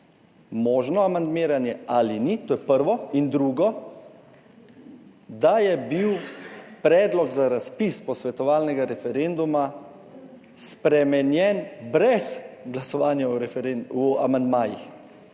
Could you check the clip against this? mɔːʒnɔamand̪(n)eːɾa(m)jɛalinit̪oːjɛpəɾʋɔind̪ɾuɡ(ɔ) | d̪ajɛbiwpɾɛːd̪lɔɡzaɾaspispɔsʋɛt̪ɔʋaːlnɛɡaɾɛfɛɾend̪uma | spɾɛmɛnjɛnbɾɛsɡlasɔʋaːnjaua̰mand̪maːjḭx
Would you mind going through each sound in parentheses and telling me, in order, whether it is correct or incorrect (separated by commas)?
incorrect, incorrect, correct